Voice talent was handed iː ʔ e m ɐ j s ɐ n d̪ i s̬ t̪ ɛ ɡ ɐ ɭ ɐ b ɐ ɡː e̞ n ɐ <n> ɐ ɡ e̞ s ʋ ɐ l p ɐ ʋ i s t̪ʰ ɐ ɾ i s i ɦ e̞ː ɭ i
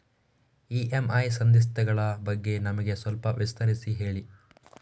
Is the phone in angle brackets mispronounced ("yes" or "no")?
yes